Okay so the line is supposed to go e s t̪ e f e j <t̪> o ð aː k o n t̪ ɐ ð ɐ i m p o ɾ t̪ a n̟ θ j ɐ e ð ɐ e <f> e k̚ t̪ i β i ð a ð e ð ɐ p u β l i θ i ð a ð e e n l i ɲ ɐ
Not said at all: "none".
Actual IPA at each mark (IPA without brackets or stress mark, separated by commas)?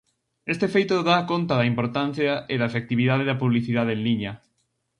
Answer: t̪, f